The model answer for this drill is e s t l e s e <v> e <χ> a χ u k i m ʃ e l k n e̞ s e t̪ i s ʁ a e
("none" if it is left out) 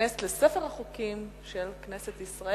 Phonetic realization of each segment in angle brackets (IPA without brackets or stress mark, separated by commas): f, ʁ